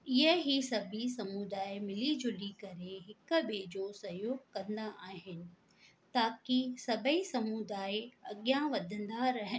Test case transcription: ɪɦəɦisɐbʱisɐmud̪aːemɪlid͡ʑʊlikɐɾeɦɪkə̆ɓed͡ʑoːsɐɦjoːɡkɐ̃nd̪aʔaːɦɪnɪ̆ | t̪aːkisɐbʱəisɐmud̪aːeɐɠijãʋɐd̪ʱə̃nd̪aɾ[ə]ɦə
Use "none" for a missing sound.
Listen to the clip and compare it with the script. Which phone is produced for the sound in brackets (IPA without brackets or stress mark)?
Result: ɐ